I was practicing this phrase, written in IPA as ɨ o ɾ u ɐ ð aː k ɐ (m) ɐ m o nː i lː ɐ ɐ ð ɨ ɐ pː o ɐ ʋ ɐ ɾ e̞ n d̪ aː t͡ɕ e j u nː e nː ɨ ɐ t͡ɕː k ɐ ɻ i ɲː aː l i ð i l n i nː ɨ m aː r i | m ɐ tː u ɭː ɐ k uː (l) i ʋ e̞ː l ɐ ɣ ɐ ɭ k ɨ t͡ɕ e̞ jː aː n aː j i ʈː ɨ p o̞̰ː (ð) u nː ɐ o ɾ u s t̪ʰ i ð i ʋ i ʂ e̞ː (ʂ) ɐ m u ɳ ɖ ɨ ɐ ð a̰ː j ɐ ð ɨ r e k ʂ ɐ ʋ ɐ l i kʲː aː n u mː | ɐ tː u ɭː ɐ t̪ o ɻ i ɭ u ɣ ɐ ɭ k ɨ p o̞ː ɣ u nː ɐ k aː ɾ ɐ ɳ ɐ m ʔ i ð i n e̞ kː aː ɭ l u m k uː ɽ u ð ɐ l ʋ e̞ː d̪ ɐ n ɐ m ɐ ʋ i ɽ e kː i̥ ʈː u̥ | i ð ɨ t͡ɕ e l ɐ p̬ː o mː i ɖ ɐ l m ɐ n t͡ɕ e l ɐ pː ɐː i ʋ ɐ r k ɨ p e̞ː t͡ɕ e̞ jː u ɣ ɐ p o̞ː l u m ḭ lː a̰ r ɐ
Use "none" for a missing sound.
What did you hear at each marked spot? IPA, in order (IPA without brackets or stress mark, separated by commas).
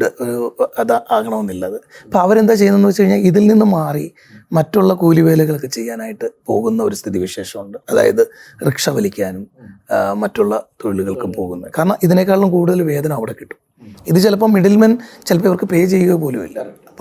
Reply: ɳ, l, ɣ, ʂ